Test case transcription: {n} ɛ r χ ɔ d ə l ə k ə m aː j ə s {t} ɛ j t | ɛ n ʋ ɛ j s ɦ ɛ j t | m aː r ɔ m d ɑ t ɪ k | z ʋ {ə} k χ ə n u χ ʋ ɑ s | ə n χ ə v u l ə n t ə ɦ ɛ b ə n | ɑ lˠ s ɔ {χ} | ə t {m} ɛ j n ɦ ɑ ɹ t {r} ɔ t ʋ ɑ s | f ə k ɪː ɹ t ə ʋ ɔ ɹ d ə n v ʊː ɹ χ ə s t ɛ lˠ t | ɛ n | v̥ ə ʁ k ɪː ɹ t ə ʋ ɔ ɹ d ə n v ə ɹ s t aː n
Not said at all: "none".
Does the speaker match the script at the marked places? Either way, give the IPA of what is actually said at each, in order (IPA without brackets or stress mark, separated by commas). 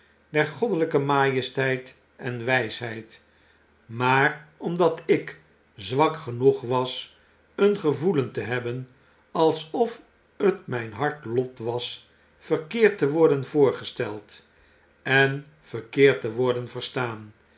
d, t, ɑ, f, m, l